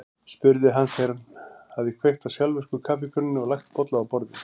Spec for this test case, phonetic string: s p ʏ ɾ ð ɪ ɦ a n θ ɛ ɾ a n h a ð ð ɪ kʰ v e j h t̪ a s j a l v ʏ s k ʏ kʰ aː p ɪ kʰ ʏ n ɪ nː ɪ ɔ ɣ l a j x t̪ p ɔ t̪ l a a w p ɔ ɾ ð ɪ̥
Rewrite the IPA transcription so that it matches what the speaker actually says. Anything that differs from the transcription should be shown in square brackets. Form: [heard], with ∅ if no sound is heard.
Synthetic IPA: s p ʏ ɾ ð ɪ ɦ a n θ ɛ ɾ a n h a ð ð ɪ kʰ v e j h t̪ a s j a l v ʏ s k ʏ kʰ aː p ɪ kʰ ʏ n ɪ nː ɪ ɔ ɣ l a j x t̪ p ɔ t̪ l a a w p ɔ ɾ ð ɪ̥